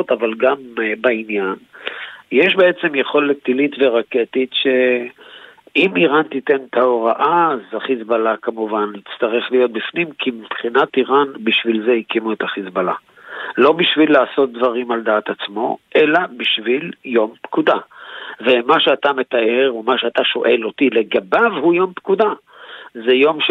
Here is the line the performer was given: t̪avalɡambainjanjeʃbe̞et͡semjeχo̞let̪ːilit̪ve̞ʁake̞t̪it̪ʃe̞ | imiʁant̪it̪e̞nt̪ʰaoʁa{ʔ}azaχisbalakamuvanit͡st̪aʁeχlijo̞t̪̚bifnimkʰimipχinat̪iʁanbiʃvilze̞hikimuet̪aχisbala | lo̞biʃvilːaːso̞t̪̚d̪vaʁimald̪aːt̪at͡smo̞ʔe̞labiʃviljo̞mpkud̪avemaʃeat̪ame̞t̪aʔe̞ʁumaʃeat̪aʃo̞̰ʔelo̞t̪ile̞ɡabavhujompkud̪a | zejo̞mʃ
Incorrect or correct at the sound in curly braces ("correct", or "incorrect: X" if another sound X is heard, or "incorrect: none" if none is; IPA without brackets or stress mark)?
correct